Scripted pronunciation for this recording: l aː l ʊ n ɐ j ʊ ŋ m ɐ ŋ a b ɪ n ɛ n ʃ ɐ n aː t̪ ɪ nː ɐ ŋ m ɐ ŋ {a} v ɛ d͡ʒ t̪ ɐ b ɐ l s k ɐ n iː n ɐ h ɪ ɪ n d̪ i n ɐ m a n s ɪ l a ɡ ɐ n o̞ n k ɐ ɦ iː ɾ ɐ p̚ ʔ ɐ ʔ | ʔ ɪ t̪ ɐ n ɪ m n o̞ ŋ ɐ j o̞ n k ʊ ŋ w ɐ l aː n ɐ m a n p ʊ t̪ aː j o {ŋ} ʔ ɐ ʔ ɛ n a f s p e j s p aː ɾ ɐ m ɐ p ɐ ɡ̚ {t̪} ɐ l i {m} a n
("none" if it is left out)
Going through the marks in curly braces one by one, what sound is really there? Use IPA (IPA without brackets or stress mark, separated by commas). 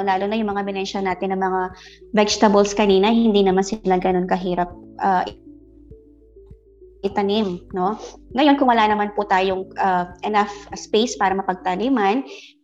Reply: a, ŋ, t̪, m